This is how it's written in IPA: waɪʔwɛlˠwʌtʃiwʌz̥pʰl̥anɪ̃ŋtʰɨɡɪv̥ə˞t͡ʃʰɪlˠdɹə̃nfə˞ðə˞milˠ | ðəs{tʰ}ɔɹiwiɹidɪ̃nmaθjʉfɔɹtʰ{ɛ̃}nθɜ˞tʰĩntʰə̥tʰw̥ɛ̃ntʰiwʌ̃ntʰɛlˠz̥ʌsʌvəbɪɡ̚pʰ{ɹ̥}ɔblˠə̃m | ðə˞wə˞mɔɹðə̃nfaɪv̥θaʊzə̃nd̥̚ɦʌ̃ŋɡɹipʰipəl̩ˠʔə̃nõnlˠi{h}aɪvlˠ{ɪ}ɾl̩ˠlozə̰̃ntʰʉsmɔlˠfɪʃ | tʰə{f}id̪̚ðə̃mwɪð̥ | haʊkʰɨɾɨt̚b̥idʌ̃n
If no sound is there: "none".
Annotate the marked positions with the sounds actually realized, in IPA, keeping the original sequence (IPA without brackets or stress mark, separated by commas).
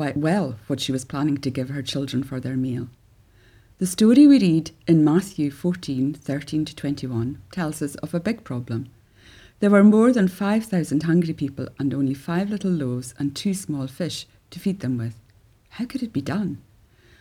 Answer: t, ĩ, ɹ̥, f, ɪ, f